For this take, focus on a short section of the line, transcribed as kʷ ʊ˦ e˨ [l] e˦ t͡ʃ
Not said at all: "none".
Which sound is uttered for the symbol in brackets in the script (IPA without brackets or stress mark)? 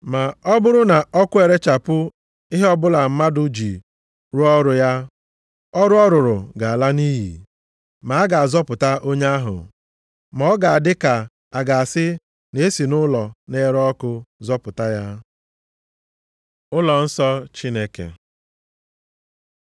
ɾ